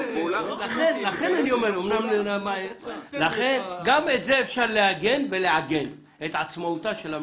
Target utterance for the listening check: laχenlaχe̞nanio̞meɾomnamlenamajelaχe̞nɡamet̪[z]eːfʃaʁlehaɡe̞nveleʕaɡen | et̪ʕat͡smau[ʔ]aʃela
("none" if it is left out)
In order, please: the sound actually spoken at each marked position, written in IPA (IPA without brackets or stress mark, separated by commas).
z, t